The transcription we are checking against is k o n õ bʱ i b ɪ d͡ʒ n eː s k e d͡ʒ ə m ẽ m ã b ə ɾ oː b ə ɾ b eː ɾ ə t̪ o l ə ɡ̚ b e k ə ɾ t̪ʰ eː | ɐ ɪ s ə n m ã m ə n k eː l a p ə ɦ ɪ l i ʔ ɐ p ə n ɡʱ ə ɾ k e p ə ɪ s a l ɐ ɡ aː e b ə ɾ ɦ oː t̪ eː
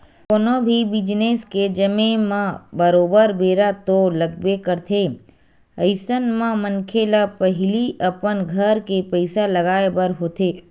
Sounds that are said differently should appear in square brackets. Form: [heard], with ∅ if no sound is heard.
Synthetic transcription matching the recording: k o n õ bʱ i b ɪ d͡ʒ n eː s k e d͡ʒ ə m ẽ m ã b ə ɾ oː b ə ɾ b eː ɾ [a] t̪ o l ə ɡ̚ b e k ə ɾ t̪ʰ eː | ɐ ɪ s ə n m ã m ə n [kʰ] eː l a p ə ɦ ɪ l i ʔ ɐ p ə n ɡʱ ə ɾ k e p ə ɪ s a l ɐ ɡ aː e b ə ɾ ɦ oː t̪ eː